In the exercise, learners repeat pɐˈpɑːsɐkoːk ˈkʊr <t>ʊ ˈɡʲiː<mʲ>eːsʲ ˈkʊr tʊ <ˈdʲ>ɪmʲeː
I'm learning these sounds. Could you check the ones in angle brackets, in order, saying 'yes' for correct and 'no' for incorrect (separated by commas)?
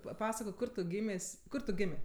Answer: yes, yes, no